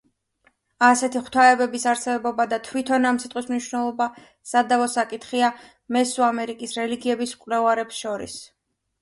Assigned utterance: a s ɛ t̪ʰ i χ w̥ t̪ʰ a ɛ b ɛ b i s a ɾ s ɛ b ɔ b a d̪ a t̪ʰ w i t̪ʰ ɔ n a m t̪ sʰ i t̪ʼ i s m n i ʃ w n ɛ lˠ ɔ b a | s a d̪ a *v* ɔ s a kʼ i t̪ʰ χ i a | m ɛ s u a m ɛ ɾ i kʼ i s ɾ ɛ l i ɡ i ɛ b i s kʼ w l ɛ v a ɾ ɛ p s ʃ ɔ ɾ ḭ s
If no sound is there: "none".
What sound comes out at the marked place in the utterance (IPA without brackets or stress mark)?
v